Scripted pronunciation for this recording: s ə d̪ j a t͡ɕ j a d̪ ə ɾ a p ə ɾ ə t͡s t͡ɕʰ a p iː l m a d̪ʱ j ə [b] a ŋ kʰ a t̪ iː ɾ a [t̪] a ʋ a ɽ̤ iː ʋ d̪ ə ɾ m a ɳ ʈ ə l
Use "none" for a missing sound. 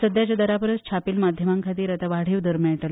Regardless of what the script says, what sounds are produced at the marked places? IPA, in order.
m, t̪

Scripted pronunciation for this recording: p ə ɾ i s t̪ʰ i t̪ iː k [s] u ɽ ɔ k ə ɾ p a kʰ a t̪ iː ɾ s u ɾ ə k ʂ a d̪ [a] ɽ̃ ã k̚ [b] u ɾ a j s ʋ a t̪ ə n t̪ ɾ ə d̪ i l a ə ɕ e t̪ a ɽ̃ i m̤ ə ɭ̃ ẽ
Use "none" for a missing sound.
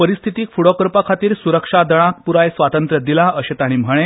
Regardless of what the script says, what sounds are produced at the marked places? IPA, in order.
f, ə, p

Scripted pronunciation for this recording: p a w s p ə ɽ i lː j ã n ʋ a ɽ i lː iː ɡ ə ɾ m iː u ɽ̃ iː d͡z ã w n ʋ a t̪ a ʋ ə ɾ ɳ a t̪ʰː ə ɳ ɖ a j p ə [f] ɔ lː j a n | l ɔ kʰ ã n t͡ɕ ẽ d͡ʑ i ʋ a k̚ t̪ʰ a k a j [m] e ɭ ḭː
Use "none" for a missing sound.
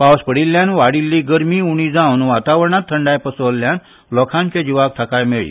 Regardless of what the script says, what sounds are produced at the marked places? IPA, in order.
s, m

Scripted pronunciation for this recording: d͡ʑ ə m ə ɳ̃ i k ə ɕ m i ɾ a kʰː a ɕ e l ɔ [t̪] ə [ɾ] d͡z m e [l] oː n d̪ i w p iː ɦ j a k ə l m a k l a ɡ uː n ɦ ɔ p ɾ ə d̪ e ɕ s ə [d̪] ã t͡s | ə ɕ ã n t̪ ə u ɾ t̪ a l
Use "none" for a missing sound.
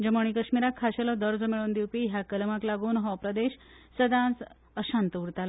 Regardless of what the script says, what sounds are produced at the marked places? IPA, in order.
d̪, ɾ, ɭ, d̪

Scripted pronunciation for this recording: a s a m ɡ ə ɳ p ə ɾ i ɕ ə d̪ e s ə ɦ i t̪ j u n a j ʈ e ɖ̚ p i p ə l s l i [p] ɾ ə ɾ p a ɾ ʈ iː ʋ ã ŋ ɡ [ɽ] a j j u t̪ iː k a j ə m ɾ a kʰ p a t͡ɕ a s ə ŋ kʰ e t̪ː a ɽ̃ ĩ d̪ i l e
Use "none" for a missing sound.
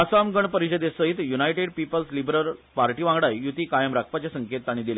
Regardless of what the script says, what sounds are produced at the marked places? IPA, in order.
b, ɽ

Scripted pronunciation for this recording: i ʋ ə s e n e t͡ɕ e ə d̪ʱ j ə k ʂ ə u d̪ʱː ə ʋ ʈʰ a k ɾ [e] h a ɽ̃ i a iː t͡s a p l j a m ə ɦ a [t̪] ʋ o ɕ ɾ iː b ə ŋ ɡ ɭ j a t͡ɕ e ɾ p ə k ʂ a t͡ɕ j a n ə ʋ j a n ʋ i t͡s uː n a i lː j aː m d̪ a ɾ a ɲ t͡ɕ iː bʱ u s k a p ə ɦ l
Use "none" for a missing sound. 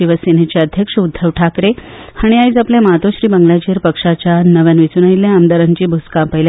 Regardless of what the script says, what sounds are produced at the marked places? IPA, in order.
e, t̪

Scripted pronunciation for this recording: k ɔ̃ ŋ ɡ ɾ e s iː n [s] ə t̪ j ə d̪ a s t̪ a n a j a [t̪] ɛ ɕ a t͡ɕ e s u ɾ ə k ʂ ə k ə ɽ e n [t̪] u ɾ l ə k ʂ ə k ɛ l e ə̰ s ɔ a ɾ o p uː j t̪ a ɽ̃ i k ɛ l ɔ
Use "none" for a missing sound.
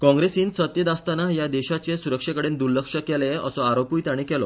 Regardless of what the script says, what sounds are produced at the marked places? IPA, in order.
s, d̪, d̪

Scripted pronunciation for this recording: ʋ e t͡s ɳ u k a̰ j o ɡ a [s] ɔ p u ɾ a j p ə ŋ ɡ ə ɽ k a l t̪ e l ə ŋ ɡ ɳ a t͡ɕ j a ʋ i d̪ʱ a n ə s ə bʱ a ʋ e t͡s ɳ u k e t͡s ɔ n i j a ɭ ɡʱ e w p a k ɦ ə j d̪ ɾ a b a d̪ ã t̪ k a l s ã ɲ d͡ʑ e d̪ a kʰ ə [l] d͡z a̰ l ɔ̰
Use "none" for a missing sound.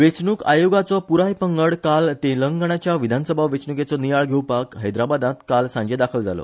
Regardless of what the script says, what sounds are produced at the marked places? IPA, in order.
t͡s, l

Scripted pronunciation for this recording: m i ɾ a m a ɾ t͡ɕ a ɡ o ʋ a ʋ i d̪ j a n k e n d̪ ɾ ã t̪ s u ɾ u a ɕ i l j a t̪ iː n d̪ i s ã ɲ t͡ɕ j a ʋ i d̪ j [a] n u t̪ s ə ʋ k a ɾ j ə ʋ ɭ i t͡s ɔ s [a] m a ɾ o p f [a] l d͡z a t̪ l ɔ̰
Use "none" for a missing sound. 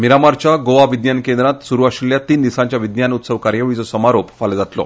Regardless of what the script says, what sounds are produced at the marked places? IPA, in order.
a, ə, a

